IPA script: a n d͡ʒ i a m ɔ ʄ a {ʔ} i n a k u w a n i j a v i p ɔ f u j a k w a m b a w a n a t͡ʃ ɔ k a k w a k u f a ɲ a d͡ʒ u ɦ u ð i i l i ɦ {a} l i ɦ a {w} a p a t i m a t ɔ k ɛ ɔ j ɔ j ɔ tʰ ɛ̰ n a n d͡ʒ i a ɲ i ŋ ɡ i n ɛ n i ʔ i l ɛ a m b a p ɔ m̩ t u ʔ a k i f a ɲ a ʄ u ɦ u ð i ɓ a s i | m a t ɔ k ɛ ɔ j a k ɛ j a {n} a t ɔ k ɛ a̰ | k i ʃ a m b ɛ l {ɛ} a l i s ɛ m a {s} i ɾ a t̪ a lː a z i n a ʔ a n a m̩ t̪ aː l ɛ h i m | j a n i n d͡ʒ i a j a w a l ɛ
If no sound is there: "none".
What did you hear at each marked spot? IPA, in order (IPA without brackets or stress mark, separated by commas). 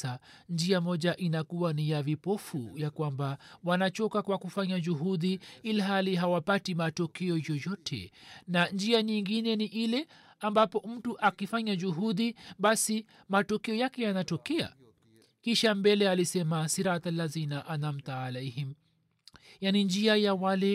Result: ʔ, a, w, n, ɛ, s